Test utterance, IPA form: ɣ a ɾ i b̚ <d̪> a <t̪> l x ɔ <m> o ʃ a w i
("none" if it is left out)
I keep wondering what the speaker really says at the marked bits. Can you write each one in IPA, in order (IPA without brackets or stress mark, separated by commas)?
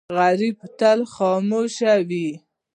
t̪, none, m